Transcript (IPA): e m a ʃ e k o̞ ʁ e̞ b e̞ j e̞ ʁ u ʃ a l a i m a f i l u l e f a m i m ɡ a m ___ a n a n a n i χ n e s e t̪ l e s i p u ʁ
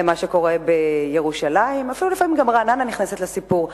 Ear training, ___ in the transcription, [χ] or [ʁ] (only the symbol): ʁ